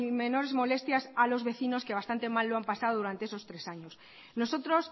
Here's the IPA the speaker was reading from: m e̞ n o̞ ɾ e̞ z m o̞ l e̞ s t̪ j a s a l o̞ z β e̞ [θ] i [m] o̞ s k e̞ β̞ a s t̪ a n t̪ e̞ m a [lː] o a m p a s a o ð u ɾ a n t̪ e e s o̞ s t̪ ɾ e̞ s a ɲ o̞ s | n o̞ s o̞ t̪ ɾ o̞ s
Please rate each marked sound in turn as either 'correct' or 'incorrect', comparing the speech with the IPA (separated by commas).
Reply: correct, incorrect, correct